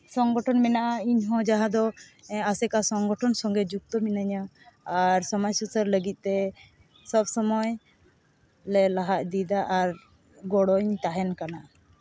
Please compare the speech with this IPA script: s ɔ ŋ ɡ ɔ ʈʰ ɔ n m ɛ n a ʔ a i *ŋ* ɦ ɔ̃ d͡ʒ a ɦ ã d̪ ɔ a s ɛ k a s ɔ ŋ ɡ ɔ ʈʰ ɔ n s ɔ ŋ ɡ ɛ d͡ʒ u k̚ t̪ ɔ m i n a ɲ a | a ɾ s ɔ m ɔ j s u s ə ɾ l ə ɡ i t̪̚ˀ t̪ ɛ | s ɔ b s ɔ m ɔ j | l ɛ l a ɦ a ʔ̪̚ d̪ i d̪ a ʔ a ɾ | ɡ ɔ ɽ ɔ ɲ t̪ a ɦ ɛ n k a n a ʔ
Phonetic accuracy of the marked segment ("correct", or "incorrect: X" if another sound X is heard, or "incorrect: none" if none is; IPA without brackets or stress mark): incorrect: ɲ